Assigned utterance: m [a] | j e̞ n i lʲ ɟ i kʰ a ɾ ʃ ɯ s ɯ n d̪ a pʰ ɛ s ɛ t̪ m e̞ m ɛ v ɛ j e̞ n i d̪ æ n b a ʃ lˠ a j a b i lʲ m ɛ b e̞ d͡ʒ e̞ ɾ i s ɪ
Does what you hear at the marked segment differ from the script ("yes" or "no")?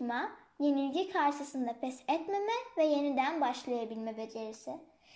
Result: no